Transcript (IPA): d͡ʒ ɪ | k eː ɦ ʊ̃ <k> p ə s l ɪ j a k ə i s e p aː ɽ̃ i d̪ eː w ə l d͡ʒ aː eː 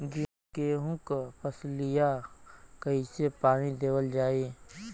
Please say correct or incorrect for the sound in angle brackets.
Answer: correct